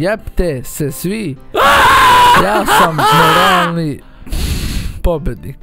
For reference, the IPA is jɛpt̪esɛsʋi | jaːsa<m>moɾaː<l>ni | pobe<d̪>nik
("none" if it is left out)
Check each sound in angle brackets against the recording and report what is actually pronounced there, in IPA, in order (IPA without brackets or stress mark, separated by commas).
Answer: m, l, d̪